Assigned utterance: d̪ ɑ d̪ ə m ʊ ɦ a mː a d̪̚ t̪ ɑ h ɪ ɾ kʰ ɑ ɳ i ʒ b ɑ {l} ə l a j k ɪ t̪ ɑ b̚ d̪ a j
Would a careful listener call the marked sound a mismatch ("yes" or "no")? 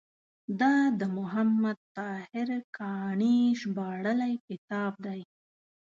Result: yes